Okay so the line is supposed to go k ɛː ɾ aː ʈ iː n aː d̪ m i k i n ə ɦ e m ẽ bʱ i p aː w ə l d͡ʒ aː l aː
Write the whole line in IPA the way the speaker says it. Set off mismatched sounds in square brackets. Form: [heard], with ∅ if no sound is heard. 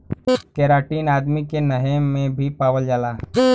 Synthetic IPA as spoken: k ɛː ɾ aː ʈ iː n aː d̪ m i k [e] n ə ɦ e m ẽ bʱ i p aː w ə l d͡ʒ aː l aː